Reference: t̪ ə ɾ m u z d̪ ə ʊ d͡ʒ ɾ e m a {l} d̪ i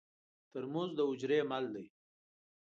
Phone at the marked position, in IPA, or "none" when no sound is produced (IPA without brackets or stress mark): l